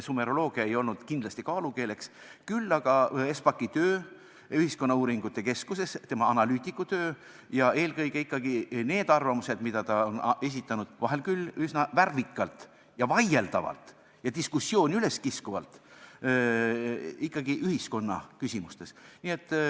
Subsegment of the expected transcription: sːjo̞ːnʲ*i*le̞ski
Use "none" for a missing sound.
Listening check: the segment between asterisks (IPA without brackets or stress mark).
y